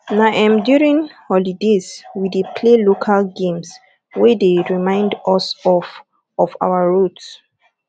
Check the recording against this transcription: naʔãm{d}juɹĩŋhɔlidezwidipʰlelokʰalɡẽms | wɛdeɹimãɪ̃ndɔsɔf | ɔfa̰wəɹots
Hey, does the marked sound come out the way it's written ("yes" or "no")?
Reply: yes